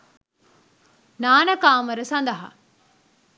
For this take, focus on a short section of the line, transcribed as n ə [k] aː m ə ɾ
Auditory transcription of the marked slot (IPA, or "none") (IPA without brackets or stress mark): k